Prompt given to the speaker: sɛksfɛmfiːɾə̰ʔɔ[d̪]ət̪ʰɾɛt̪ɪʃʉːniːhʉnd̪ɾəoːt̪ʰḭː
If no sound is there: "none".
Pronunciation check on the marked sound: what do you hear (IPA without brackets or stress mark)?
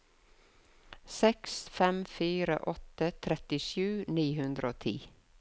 t̪